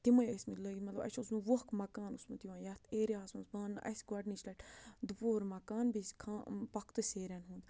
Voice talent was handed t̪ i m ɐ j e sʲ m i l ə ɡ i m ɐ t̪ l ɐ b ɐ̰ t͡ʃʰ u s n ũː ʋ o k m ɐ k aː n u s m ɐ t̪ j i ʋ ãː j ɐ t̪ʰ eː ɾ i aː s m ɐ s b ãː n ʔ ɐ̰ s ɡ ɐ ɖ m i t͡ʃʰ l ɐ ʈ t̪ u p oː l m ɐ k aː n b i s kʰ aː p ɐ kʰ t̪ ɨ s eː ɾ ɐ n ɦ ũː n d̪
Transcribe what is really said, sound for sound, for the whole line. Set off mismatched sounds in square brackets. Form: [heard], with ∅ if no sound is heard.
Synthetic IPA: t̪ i m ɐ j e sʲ m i l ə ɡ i m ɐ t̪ l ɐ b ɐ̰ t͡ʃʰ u s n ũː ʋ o k m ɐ k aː n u s m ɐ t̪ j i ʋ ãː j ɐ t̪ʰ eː ɾ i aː s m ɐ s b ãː n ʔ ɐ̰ s ɡ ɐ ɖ [n] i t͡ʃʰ l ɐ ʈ [d̪] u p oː [ɾ] m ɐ k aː n b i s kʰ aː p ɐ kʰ t̪ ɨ s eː ɾ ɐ n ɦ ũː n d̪